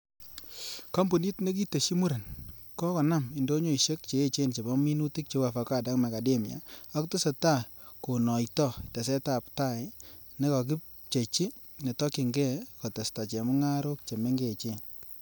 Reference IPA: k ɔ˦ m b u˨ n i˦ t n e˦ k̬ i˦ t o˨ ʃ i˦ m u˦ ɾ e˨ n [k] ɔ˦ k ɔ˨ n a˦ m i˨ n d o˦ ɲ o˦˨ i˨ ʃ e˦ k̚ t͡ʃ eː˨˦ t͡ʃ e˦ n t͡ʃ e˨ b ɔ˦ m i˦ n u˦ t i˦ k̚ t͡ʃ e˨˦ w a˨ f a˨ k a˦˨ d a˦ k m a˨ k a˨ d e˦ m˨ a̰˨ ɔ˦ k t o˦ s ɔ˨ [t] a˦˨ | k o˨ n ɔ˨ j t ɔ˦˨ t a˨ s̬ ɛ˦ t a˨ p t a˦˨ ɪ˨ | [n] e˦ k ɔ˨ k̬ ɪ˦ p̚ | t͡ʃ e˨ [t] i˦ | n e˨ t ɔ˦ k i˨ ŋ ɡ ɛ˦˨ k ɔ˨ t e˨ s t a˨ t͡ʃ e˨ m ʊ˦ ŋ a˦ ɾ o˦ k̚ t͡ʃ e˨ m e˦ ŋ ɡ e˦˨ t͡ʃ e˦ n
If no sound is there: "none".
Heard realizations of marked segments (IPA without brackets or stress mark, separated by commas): k, t, n, t͡ʃ